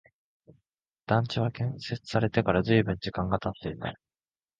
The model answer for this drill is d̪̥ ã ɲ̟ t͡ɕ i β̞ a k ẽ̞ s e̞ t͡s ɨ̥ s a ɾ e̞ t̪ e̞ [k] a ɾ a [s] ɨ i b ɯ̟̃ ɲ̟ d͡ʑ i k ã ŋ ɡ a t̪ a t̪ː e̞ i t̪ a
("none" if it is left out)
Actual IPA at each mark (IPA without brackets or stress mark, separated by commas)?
k, z